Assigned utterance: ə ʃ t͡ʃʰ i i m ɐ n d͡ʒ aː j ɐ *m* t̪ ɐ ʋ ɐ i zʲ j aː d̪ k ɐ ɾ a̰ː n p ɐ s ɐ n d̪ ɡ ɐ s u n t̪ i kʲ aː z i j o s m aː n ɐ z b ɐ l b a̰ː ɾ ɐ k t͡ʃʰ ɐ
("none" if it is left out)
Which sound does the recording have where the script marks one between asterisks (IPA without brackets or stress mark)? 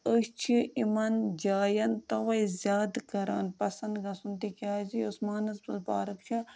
n